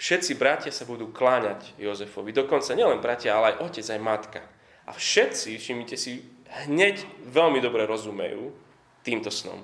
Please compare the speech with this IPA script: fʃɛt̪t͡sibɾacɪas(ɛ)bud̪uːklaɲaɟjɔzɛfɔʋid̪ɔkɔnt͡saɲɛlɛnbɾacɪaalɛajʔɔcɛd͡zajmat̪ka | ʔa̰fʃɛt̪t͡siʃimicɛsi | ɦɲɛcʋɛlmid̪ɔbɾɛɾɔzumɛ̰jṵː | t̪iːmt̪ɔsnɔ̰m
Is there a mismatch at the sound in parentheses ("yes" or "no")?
yes